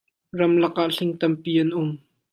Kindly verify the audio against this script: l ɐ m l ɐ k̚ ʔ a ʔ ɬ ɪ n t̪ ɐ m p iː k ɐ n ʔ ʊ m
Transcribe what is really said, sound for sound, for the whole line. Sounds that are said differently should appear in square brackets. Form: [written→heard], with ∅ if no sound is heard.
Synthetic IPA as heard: [l→r] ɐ m l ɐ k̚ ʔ a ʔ ɬ ɪ [n→ŋ] t̪ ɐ m p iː [k→ʔ] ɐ n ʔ ʊ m